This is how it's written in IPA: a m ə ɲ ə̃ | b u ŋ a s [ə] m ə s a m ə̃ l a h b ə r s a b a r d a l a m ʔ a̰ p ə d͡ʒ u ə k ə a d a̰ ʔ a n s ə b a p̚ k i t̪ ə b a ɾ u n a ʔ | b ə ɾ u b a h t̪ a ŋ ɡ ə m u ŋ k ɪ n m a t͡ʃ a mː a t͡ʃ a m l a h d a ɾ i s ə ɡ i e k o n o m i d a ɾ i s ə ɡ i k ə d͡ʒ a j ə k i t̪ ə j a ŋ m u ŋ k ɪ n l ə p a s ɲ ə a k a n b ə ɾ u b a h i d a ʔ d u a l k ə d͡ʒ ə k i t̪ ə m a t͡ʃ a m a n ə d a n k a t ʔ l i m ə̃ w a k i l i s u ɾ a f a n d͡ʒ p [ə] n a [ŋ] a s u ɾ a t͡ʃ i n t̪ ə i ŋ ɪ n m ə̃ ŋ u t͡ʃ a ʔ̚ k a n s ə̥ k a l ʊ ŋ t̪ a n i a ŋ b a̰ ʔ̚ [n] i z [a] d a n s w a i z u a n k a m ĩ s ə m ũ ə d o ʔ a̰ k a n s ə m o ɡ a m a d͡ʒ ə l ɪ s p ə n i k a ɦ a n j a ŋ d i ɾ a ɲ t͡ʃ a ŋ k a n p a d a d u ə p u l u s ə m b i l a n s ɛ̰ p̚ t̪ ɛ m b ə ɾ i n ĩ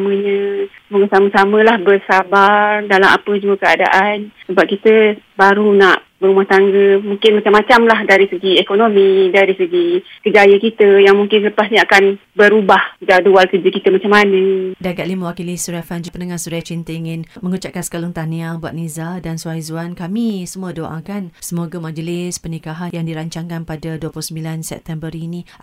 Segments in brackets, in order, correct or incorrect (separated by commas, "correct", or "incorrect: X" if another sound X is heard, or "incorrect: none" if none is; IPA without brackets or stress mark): incorrect: a, correct, correct, correct, correct